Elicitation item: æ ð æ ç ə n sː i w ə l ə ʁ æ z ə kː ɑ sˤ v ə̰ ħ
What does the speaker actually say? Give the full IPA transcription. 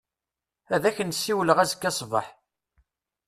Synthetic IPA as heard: æ ð æ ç ə n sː i w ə l ə ʁ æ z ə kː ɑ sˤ v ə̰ ħ